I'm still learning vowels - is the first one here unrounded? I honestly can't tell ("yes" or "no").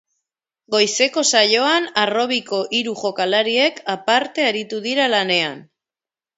no